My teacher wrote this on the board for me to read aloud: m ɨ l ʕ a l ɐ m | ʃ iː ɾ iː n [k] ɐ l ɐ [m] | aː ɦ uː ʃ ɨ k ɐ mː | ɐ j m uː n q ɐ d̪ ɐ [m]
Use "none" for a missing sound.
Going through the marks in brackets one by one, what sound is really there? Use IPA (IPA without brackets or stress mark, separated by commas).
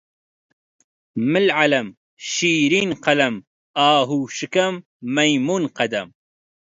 q, m, m